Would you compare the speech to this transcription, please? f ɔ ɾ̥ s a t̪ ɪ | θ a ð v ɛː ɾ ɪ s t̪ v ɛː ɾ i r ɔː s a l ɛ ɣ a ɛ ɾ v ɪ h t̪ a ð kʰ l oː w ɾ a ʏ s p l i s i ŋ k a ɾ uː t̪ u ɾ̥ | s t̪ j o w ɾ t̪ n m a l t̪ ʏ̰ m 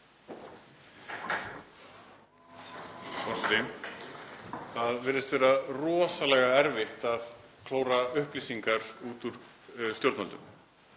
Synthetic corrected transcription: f ɔ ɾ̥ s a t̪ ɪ | θ a ð v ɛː ɾ ɪ s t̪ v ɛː ɾ a r ɔː s a l ɛ ɣ a ɛ ɾ v ɪ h t̪ a ð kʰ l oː w ɾ a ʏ h p l i s i ŋ k a ɾ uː t̪ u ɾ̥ | s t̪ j o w ɾ t̪ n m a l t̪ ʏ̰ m